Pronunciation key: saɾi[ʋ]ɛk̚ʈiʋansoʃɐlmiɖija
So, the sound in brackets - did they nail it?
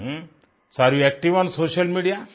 no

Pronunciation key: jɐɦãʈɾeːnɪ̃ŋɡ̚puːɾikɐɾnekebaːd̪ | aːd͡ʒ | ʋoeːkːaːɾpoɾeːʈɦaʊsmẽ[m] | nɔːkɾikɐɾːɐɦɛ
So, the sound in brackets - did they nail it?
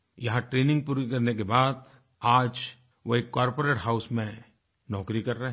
no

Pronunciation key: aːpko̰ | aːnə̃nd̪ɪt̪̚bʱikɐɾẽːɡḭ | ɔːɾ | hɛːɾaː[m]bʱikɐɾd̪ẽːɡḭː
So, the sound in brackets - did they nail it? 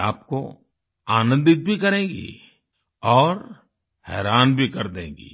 no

